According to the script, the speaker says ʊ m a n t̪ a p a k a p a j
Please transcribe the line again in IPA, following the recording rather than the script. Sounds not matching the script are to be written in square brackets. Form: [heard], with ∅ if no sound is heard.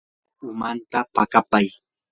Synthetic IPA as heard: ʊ m a n t̪ a p a k a p a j